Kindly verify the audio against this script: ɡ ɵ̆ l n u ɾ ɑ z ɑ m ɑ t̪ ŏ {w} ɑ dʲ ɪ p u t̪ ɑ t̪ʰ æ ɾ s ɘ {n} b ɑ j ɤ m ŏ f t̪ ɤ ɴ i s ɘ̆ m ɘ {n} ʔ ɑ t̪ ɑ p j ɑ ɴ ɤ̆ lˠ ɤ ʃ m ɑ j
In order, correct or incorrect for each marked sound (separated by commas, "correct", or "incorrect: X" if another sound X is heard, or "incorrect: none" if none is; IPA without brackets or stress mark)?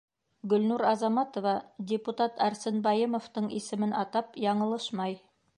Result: incorrect: v, correct, correct